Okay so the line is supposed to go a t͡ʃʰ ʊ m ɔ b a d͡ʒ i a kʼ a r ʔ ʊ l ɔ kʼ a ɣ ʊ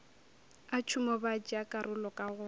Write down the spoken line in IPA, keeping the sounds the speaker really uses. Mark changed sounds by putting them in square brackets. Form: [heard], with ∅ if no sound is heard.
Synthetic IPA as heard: a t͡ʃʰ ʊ m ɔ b a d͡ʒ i a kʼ a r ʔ ʊ l ɔ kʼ a ɣ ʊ